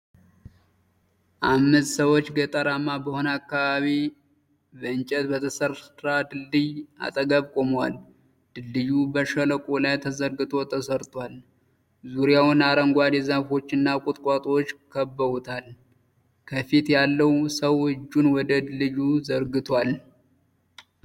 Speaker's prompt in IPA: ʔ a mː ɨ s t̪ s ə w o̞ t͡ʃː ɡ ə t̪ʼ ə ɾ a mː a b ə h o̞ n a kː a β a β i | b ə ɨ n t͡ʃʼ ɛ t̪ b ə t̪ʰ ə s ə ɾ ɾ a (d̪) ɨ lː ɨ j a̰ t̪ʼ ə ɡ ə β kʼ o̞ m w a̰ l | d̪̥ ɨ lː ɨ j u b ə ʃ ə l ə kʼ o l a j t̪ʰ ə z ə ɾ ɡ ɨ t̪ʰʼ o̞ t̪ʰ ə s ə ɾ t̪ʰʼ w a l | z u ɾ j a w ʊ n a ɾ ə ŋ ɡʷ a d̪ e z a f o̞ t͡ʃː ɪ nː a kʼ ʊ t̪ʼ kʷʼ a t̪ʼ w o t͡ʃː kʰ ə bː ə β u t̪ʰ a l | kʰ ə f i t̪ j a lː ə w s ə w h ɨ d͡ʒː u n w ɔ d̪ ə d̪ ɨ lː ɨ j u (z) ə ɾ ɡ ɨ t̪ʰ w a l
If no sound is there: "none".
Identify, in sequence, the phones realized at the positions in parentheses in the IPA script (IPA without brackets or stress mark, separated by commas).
d̪, z